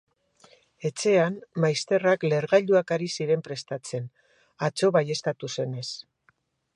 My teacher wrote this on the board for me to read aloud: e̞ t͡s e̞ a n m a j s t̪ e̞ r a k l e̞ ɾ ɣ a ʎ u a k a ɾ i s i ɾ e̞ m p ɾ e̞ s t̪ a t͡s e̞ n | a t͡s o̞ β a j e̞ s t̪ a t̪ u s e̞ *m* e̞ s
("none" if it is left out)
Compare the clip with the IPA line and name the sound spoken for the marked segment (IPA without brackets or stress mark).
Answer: n